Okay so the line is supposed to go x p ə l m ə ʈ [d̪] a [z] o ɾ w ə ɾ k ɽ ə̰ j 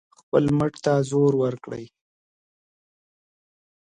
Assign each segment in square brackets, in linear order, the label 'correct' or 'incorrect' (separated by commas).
incorrect, correct